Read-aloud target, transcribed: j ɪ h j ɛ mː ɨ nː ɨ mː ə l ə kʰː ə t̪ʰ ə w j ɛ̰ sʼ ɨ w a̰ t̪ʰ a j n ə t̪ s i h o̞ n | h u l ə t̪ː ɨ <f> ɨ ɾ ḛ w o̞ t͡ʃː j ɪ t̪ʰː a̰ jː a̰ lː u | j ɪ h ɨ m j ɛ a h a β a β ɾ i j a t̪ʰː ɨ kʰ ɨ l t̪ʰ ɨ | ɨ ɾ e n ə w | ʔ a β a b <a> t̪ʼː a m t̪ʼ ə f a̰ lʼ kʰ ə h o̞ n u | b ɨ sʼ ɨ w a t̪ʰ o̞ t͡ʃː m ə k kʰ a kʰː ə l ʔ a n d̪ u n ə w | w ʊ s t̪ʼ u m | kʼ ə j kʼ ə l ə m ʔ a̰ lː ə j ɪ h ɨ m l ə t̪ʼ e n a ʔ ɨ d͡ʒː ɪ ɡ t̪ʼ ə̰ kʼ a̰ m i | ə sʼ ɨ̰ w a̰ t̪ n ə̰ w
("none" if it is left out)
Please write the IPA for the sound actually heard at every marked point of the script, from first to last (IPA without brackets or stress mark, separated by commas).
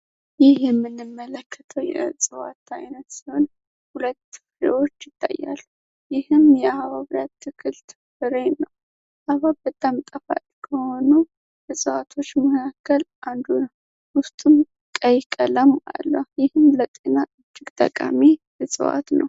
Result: f, ə